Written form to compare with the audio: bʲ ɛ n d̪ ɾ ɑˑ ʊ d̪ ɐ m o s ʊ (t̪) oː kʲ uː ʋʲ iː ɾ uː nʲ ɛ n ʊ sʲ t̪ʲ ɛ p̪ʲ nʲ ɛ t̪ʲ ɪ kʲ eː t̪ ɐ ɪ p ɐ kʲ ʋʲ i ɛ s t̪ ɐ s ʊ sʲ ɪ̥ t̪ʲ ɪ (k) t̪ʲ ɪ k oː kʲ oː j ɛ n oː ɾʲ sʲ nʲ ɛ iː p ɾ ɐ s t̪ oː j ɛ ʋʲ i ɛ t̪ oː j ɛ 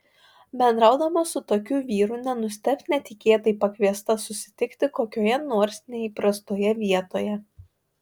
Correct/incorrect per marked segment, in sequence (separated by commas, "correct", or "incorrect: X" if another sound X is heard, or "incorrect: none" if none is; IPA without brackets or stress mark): correct, correct